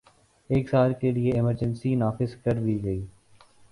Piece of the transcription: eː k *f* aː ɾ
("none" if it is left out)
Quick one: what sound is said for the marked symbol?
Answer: s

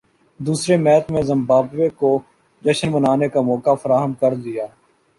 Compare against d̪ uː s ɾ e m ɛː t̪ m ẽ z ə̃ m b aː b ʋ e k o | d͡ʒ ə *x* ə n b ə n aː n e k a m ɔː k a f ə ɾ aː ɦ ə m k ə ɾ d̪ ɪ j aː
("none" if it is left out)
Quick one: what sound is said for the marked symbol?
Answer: ʃ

